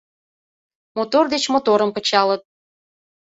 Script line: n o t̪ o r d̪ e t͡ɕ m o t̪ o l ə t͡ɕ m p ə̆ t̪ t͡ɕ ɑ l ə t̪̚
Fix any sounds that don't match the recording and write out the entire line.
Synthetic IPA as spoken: m o t̪ o r d̪ e t͡ɕ m o t̪ o ɾ ə m p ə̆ t͡ɕ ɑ l ə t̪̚

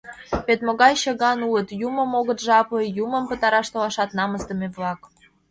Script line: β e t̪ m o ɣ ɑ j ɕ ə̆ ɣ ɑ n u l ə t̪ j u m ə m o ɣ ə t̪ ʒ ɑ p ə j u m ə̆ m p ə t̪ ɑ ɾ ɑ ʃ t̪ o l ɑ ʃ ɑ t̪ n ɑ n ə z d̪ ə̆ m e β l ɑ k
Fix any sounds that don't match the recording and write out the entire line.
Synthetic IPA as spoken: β e t̪ m o ɣ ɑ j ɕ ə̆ ɣ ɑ n u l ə t̪ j u m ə m o ɣ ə t̪ ʒ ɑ p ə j u m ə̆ m p ə t̪ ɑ ɾ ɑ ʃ t̪ o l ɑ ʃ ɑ t̪ n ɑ m ə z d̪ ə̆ m e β l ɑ k

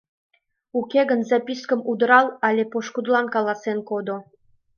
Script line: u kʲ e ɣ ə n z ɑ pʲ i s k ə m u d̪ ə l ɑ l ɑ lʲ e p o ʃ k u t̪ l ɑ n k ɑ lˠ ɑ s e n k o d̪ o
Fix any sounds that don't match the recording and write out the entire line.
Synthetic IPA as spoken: u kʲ e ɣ ə n z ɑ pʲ i s k ə m u d̪ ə ɾ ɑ l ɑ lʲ e p o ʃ k u d̪ l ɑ n k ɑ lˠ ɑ s e n k o d̪ o

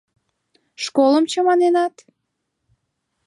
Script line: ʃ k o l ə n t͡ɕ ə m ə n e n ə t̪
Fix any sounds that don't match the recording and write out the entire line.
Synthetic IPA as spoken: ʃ k o l ə m t͡ɕ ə m ɑ n e n ɑ t̪

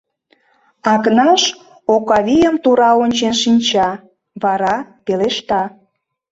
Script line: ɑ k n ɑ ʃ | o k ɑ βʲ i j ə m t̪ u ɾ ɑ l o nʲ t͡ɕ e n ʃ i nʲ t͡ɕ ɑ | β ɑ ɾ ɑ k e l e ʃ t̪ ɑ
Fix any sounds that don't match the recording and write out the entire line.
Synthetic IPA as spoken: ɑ k n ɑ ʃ | o k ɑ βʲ i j ə m t̪ u ɾ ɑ o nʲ t͡ɕ e n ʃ i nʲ t͡ɕ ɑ | β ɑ ɾ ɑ p e l e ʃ t̪ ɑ

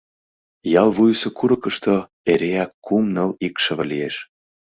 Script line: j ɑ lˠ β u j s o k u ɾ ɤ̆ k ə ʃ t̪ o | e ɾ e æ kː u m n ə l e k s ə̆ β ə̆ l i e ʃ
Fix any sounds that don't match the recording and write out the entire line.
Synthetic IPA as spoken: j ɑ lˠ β u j s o k u ɾ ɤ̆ k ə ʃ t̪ o | e ɾ e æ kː u m n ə l i k ʃ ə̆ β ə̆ l i e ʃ

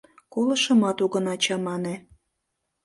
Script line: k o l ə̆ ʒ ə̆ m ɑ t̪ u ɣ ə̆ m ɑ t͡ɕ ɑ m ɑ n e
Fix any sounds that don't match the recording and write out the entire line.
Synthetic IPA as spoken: k o l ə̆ ʃ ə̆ m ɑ t̪ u ɣ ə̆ n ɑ t͡ɕ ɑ m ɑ n e

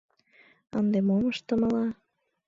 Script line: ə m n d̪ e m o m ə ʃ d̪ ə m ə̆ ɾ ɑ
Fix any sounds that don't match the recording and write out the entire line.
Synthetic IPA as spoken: ə n d̪ e m o m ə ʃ t̪ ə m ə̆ l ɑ

